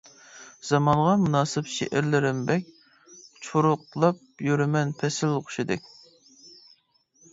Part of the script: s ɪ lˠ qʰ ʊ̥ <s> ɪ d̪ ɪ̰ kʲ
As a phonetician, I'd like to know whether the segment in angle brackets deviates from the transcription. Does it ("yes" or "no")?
yes